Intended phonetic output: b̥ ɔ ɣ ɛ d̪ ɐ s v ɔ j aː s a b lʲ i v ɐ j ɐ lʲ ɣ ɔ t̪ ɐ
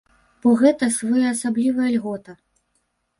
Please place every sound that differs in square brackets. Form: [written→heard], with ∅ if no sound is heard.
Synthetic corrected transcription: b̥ ɔ ɣ ɛ [d̪→t̪] ɐ s v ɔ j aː s a b lʲ i v ɐ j ɐ lʲ ɣ ɔ t̪ ɐ